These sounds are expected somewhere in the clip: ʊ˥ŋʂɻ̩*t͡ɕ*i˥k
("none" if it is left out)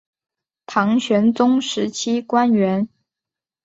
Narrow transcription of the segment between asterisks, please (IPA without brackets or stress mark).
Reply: t͡ɕʰ